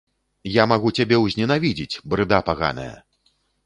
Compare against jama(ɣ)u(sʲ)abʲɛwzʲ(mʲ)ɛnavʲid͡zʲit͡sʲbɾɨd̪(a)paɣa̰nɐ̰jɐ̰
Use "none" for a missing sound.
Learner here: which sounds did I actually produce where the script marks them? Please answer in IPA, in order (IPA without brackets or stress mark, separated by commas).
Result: ɣ, t͡sʲ, nʲ, a